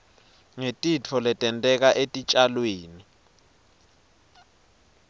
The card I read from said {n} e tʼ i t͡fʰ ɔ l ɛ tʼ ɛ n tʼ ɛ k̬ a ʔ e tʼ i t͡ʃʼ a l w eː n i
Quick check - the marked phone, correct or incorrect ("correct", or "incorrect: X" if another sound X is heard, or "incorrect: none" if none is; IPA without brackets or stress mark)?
incorrect: ŋ